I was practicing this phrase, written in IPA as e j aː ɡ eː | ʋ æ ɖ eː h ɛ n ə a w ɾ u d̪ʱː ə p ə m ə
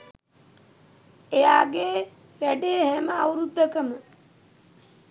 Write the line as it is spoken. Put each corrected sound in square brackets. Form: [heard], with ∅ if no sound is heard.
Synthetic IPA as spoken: e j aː ɡ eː | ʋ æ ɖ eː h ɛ [m] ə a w ɾ u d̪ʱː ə [k] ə m ə